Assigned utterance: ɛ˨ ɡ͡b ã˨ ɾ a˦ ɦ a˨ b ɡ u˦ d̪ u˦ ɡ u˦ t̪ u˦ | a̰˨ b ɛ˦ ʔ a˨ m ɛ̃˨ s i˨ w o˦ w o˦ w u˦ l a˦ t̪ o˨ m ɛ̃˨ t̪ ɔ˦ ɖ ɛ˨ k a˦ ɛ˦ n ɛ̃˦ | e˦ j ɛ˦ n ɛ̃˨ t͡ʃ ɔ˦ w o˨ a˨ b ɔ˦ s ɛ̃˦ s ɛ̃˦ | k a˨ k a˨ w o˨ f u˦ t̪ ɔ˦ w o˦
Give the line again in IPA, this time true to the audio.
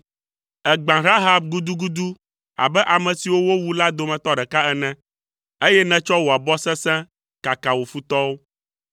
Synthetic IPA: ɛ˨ ɡ͡b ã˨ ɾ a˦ ɦ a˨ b ɡ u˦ d̪ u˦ ɡ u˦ d̪ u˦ | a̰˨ b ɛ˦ ʔ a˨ m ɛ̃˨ s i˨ w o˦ w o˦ w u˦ l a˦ d̪ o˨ m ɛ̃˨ t̪ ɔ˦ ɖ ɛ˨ k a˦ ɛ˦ n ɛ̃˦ | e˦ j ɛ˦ n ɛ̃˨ t͡ʃ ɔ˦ w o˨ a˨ b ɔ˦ s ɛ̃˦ s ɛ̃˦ | k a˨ k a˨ w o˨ f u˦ t̪ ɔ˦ w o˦